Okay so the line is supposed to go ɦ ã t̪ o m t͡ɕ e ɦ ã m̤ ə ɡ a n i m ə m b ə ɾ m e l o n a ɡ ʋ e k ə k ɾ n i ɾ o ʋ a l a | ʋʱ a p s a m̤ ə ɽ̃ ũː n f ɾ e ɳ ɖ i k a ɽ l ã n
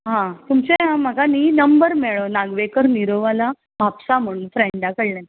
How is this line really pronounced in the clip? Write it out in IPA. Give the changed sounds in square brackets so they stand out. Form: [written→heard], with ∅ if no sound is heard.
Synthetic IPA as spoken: ɦ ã t̪ [o→u] m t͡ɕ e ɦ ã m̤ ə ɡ a n i [m→n] ə m b ə ɾ m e [l→ɭ] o n a ɡ ʋ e k ə [k→∅] ɾ n i ɾ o ʋ a l a | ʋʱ a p s a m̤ ə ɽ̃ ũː n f ɾ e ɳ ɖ [i→a] k [a→ə] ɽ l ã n

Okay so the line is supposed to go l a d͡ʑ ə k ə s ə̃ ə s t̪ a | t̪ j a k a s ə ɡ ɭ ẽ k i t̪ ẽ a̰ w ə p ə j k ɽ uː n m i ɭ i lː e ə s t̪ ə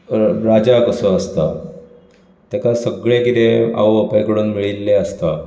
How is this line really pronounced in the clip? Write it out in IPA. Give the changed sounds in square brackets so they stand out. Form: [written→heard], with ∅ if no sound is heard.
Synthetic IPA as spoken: [l→ɾ] a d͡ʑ [ə→a] k ə s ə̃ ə s t̪ a | t̪ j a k a s ə ɡ ɭ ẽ k i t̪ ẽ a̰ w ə p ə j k ɽ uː n m i ɭ i lː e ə s t̪ [ə→a]

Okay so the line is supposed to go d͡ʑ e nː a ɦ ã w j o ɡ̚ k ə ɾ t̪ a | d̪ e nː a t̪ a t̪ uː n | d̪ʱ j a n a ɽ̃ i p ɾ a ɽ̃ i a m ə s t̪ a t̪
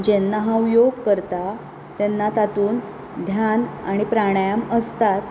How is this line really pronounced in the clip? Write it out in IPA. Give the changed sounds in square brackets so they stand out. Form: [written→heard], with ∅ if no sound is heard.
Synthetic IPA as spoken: d͡ʑ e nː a ɦ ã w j o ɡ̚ k ə ɾ t̪ a | [d̪→t̪] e nː a t̪ a t̪ uː n | d̪ʱ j a n a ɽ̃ i p ɾ a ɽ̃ [i→j] a m ə s t̪ a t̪

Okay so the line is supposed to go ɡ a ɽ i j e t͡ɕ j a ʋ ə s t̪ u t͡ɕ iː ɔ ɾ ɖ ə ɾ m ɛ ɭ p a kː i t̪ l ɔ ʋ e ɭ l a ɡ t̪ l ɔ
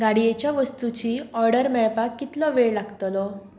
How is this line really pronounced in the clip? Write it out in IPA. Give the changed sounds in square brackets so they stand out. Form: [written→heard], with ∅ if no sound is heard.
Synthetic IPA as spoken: ɡ a ɽ i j e t͡ɕ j a ʋ ə s t̪ u t͡ɕ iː ɔ ɾ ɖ ə ɾ m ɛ ɭ p a kː i t̪ l ɔ ʋ e ɭ l a ɡ t̪ l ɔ

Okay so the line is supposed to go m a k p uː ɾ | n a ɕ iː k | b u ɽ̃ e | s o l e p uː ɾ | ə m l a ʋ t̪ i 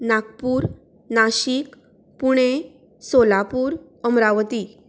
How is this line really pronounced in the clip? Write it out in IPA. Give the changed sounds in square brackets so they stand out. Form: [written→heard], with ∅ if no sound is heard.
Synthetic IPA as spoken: [m→n] a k p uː ɾ | n a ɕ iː k | [b→p] u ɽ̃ e | s o l [e→a] p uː ɾ | ə m [l→ɾ] a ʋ t̪ i

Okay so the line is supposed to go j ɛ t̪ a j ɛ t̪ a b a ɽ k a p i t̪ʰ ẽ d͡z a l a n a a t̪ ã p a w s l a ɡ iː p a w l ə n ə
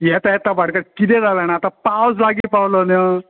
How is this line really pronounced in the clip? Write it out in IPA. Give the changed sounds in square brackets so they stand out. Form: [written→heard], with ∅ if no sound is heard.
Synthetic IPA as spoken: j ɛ t̪ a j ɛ t̪ a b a ɽ k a [p→k] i [t̪ʰ→t̪] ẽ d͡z a l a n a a t̪ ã p a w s l a ɡ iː p a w l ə n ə

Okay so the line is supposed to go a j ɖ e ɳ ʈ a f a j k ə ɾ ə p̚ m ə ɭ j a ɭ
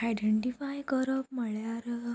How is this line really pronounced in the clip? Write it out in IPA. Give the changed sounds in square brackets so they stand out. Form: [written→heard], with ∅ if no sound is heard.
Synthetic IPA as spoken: a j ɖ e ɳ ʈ [a→i] f a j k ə ɾ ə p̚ m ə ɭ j a [ɭ→ɾ]

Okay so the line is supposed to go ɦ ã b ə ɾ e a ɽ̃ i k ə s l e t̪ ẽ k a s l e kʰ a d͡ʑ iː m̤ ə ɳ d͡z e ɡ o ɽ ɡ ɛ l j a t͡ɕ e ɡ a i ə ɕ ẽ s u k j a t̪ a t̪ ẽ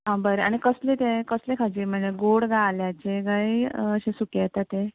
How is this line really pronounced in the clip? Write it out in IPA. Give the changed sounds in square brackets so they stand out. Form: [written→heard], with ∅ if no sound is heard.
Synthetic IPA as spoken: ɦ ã b ə ɾ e a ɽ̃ i k ə s l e t̪ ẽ k [a→ə] s l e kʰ a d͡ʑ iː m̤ ə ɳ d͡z e ɡ o ɽ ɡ [ɛ→a] l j a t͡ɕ e ɡ a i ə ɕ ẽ s u k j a t̪ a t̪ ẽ

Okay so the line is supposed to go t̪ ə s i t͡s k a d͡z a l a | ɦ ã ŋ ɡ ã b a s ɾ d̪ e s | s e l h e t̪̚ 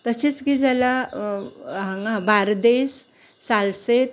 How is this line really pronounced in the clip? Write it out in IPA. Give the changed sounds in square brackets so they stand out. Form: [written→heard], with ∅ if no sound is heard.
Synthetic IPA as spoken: t̪ ə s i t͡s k [a→i] d͡z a l a | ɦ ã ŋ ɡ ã b a [s→∅] ɾ d̪ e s | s [e→a] l [h→s] e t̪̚

